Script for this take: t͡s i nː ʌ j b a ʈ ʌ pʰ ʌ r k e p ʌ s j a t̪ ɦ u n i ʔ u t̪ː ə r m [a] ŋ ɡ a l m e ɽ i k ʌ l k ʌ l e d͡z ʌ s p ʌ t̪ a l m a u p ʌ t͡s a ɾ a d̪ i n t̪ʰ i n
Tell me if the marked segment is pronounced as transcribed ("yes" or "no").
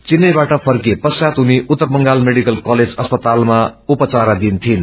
no